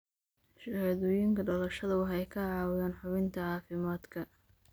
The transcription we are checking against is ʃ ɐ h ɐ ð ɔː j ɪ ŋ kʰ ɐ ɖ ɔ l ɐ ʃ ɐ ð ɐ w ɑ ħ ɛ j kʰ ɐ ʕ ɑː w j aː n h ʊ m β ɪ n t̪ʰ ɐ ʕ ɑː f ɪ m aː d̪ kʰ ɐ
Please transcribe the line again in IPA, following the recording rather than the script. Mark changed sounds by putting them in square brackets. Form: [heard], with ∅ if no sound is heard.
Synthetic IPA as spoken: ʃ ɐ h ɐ ð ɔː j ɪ ŋ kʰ ɐ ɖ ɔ l ɐ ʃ ɐ ð ɐ w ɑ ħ ɛ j kʰ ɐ ʕ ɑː w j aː n [ħ] ʊ [∅] β ɪ n t̪ʰ ɐ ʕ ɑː f ɪ m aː d̪ kʰ ɐ